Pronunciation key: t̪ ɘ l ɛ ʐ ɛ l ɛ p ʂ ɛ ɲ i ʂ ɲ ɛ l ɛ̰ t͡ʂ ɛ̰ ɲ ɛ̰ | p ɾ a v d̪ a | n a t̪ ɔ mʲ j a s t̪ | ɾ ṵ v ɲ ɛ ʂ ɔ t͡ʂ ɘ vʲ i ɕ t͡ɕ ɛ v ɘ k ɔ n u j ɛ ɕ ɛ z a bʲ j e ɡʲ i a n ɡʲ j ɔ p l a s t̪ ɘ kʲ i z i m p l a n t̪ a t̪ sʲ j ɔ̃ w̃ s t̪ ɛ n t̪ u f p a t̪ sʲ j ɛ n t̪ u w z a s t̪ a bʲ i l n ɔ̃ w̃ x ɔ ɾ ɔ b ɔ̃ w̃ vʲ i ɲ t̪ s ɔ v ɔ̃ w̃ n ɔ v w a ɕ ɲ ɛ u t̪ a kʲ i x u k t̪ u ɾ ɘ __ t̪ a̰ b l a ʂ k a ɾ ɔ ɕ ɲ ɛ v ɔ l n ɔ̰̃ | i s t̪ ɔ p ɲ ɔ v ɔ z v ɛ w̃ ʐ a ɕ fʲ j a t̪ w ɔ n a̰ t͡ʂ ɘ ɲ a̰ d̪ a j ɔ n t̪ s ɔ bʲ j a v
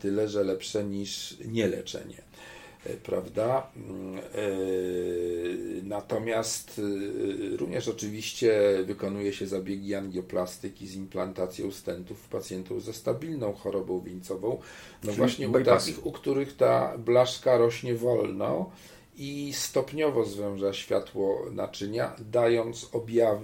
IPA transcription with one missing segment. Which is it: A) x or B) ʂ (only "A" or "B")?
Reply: A